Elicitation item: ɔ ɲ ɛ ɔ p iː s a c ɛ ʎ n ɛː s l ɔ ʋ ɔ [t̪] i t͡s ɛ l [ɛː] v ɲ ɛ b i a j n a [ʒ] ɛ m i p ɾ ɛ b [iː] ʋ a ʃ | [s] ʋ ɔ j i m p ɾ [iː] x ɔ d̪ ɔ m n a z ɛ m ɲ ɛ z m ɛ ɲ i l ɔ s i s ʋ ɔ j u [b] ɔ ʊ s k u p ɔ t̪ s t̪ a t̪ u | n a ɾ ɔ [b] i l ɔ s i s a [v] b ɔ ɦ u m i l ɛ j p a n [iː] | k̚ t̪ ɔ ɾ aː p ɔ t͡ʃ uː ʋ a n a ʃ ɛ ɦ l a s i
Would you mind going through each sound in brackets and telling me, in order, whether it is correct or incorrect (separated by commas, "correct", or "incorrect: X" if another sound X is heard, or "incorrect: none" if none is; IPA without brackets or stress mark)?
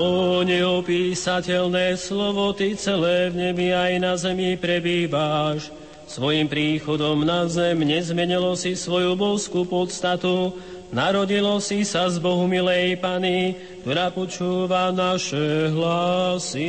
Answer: correct, correct, incorrect: z, correct, correct, correct, correct, incorrect: ɟ, incorrect: z, incorrect: i